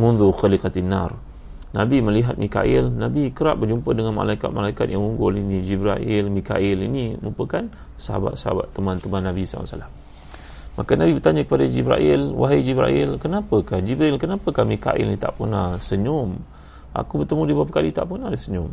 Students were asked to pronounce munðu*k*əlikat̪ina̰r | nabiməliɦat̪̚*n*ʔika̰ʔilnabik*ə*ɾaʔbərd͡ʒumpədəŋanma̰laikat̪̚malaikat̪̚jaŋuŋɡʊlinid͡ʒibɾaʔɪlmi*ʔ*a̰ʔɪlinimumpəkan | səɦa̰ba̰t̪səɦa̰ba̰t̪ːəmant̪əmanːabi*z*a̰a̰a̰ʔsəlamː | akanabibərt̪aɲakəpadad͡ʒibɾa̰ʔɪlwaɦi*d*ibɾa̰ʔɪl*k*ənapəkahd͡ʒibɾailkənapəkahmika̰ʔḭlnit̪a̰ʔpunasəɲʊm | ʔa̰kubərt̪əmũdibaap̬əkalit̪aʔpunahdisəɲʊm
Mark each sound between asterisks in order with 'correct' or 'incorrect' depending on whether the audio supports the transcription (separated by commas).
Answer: incorrect, incorrect, correct, incorrect, incorrect, incorrect, correct